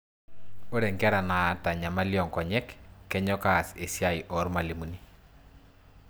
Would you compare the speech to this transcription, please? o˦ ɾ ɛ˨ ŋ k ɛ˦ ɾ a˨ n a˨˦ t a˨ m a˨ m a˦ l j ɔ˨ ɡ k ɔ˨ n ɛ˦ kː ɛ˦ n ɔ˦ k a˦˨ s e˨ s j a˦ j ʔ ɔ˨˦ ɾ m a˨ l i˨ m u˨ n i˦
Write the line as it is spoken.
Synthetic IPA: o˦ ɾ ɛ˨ ŋ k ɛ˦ ɾ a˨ n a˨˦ t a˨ ɲ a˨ m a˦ l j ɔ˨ ŋ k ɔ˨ ɲ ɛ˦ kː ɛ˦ ɲ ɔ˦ k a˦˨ s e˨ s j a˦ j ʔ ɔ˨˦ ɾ m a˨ l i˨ m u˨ n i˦